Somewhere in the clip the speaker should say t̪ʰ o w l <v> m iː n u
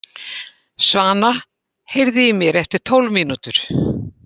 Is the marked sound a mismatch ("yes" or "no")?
no